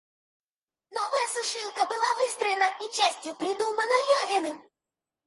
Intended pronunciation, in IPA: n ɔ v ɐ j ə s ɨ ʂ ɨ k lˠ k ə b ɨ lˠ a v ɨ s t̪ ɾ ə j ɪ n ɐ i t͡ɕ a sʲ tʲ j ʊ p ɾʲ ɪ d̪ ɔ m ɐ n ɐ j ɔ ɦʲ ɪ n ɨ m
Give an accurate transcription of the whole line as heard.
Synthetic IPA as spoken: n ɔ v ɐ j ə s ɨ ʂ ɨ lˠ k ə b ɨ lˠ a v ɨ s t̪ ɾ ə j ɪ n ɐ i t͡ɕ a sʲ tʲ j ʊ p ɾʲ ɪ d̪ u m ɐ n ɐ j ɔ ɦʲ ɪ n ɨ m